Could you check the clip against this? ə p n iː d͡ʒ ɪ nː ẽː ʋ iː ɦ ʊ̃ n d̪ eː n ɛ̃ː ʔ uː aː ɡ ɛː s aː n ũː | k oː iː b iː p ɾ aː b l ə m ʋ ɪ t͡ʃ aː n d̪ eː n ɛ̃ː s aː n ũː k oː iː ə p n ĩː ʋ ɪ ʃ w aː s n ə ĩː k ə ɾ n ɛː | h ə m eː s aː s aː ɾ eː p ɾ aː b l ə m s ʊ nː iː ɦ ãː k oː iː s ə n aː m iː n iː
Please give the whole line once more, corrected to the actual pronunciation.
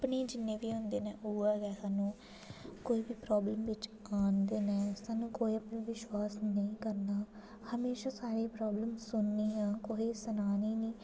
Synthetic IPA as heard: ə p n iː d͡ʒ ɪ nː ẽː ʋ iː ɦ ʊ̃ n d̪ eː n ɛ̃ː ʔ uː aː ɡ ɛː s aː n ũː | k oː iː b iː p ɾ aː b l ə m ʋ ɪ t͡ʃ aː n d̪ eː n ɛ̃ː s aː n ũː k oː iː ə p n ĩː ʋ ɪ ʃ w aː s n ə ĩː k ə ɾ n aː | h ə m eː ʃ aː s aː ɾ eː p ɾ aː b l ə m s ʊ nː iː ɦ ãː k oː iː s ə n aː n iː n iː